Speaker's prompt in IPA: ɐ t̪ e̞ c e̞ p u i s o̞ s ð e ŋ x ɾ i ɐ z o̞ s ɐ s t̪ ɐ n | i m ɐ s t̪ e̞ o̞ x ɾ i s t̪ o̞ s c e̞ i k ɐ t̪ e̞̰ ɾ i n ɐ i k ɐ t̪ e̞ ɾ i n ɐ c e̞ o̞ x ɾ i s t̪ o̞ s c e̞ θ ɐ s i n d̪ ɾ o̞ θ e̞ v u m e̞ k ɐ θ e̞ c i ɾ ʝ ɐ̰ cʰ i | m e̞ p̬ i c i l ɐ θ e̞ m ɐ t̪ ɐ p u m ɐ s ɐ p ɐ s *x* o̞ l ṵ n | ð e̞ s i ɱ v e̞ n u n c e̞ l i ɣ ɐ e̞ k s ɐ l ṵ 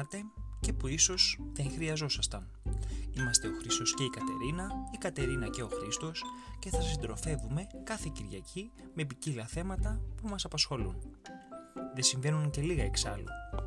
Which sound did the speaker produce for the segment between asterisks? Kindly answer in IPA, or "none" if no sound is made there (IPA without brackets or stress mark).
x